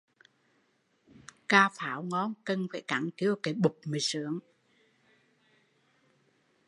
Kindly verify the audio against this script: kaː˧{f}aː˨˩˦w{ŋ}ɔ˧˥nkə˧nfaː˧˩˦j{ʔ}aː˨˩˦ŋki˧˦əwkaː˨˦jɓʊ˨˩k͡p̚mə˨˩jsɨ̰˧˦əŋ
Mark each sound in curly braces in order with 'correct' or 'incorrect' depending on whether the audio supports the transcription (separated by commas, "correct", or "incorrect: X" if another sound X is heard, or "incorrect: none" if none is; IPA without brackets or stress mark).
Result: correct, correct, incorrect: k